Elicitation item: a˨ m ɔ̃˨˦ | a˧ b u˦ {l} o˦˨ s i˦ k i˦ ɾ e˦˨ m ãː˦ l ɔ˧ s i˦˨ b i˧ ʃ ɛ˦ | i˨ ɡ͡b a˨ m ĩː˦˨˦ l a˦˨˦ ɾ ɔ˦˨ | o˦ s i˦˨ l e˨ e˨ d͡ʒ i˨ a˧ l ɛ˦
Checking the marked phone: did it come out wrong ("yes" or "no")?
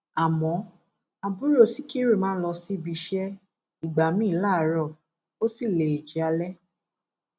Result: yes